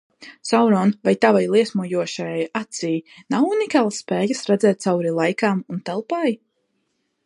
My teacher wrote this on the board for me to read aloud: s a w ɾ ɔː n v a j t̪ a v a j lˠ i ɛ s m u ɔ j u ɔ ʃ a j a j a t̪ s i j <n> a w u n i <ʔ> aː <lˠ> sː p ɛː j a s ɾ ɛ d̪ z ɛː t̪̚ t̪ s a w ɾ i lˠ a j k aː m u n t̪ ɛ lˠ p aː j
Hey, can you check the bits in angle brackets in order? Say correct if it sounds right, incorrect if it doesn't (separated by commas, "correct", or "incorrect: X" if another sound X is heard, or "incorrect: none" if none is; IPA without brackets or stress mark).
correct, incorrect: k, correct